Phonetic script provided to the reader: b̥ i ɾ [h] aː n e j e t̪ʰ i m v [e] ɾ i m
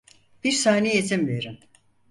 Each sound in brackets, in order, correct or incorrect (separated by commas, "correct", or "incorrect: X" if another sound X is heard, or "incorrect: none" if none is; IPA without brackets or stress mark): incorrect: s, correct